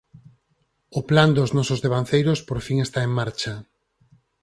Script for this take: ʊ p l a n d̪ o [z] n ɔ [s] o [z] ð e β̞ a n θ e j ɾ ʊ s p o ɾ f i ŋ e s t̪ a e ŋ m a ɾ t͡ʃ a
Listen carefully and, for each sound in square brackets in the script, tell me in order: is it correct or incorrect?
correct, correct, correct

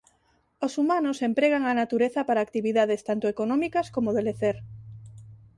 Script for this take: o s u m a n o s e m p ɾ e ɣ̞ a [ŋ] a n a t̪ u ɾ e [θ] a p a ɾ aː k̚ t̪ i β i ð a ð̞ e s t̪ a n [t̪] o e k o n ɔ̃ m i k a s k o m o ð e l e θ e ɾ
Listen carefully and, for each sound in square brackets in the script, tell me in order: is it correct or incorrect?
correct, correct, correct

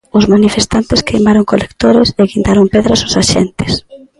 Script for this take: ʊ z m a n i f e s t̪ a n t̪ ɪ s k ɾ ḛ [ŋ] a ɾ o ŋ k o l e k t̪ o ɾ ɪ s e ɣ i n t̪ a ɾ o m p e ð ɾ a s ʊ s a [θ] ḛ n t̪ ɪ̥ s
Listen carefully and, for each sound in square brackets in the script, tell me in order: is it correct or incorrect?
incorrect, incorrect

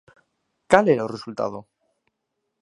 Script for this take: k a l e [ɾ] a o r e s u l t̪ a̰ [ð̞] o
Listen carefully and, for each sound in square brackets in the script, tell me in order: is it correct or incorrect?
correct, correct

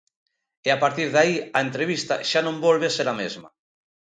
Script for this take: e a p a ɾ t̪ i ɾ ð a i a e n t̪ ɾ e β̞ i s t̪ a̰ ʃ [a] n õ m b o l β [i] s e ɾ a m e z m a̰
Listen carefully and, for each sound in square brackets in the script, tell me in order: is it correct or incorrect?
correct, incorrect

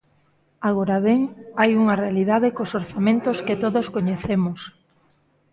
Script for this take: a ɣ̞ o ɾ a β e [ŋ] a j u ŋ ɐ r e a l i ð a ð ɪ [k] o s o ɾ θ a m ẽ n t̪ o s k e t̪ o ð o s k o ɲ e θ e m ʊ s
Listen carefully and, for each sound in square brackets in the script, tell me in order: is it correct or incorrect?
correct, correct

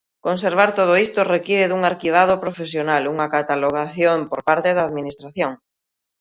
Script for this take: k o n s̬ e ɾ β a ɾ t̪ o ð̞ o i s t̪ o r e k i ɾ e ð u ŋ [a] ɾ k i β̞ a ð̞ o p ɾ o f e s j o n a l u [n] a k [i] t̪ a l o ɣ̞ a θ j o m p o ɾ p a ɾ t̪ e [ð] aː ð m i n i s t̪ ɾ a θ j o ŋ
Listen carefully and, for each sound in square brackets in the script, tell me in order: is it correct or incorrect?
correct, incorrect, incorrect, correct

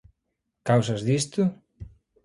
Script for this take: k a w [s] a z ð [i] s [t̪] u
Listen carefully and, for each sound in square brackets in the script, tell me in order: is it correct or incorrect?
correct, correct, correct

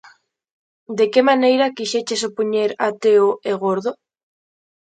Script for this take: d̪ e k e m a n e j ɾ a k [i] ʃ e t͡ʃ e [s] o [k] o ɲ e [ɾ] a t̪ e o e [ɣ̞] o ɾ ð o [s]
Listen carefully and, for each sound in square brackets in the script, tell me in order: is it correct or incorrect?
correct, correct, incorrect, correct, correct, incorrect

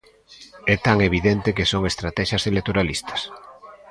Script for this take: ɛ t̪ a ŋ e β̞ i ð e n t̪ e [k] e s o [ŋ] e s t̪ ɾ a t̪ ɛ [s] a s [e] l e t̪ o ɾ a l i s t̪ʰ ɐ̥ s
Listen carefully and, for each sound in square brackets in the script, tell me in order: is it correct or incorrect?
correct, correct, incorrect, correct

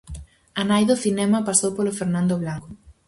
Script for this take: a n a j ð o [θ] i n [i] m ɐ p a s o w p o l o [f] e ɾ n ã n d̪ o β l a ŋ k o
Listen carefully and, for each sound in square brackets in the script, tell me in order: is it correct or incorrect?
correct, incorrect, correct

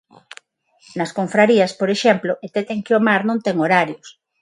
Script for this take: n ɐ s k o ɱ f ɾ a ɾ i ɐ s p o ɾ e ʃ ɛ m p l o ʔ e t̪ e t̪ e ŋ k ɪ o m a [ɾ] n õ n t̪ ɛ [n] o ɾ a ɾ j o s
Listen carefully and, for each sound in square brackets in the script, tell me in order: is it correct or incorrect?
correct, incorrect

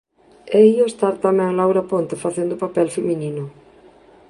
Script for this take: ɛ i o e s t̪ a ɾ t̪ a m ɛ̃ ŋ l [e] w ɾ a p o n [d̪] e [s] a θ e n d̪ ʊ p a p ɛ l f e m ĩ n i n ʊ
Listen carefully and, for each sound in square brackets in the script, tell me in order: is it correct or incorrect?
incorrect, incorrect, incorrect

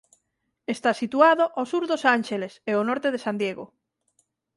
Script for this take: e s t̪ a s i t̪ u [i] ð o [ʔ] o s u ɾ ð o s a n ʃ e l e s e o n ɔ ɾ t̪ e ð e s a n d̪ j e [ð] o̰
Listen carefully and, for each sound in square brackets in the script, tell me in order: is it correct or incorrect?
incorrect, correct, incorrect

